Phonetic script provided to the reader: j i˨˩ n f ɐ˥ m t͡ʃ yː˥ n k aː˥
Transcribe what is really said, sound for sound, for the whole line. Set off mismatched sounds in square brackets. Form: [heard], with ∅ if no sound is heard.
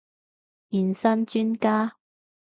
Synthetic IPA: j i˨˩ n [s] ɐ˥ [n] t͡ʃ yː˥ n k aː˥